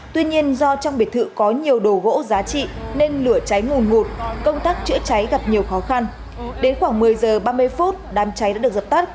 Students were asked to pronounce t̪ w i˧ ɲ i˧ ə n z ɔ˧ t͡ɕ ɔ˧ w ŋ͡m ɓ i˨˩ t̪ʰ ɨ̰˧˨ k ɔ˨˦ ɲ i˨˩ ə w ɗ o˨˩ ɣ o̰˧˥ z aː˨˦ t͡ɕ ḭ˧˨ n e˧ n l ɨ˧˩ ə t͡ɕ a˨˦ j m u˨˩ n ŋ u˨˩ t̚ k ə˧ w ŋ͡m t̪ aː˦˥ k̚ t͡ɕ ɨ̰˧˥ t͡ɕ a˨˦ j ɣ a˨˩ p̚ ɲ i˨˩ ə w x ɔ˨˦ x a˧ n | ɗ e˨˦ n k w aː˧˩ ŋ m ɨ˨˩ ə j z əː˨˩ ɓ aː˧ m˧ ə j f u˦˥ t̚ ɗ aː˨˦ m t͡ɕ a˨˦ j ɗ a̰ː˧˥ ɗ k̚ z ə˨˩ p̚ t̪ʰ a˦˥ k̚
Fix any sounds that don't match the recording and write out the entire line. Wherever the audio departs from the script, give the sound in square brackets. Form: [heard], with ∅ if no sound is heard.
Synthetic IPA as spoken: t̪ w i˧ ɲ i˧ ə n z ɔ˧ t͡ɕ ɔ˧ w ŋ͡m ɓ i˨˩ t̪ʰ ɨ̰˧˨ k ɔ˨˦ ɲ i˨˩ ə w ɗ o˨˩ ɣ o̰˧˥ z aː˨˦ t͡ɕ ḭ˧˨ n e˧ n l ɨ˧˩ ə t͡ɕ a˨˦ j [ŋ] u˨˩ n ŋ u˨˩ t̚ k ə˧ w ŋ͡m t̪ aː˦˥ k̚ t͡ɕ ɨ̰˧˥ t͡ɕ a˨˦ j ɣ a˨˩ p̚ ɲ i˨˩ ə w x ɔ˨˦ x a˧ n | ɗ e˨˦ n [x] w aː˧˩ ŋ m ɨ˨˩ ə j z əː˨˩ ɓ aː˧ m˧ ə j f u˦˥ t̚ ɗ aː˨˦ m t͡ɕ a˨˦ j ɗ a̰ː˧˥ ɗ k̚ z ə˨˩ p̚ [t̪] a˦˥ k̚